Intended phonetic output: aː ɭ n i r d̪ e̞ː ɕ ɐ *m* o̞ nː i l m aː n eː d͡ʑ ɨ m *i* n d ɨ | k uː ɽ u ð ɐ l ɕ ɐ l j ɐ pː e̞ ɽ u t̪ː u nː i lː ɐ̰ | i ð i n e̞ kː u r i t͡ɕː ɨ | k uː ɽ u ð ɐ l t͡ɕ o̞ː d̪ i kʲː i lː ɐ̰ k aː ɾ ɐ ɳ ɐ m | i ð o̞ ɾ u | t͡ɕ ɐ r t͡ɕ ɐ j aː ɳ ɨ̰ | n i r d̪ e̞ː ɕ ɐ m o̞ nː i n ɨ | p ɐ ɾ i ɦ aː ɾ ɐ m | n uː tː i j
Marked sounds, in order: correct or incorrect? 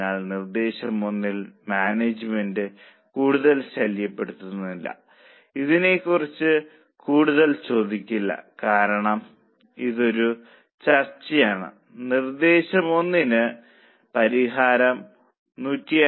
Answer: correct, incorrect

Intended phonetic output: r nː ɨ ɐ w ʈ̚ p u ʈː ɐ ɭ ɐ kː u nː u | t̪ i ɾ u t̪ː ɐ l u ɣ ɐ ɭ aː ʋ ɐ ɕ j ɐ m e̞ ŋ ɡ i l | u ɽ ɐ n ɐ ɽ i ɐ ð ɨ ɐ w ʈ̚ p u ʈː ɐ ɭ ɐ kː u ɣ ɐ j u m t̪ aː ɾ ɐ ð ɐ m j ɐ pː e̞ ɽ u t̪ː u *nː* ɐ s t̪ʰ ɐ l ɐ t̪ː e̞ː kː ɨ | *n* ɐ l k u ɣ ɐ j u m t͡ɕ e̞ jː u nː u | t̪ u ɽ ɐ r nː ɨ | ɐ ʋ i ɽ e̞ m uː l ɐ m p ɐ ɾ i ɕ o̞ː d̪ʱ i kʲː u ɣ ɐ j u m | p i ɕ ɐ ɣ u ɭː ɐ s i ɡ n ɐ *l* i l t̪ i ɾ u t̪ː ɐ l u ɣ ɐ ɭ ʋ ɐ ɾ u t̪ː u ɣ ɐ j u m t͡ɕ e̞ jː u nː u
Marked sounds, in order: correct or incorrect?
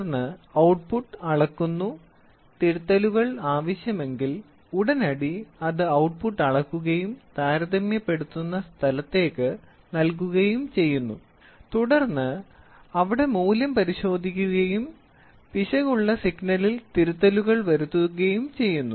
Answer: correct, correct, correct

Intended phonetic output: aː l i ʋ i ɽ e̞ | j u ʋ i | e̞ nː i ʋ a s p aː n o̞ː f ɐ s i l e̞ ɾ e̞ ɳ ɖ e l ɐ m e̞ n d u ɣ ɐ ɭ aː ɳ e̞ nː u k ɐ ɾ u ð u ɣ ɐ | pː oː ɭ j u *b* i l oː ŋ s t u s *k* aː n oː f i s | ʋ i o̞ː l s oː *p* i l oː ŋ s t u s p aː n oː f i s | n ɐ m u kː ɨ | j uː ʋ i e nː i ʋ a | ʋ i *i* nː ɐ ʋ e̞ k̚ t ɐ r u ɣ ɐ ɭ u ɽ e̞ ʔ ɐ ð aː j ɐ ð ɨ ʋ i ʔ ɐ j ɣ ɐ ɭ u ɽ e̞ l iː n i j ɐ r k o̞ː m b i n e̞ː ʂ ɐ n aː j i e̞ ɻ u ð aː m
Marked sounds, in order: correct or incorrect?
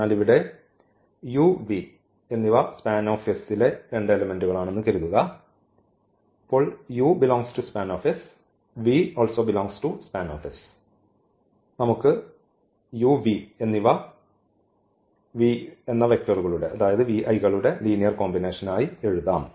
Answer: correct, incorrect, incorrect, incorrect

